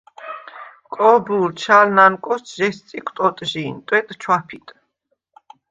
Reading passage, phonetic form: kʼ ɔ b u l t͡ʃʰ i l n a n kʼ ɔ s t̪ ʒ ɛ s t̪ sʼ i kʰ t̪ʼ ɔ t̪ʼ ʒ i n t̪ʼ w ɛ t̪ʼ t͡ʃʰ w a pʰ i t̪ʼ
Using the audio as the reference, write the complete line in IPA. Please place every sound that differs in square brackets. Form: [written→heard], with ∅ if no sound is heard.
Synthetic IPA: kʼ ɔ b u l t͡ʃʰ [i→a] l n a n kʼ ɔ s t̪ ʒ ɛ s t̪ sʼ i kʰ t̪ʼ ɔ t̪ʼ ʒ i n t̪ʼ w ɛ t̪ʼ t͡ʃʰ w a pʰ i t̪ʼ